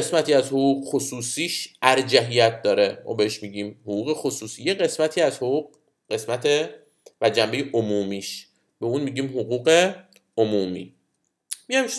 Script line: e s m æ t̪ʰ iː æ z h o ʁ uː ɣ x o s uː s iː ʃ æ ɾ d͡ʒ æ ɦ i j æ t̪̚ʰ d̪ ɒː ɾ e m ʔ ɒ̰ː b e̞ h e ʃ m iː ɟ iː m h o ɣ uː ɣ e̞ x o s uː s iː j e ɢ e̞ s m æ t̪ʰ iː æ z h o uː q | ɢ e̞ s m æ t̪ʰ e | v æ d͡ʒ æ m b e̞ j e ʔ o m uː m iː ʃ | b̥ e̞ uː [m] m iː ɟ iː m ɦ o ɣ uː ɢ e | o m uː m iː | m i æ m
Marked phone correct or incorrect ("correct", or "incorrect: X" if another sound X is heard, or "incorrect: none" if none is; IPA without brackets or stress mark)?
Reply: incorrect: n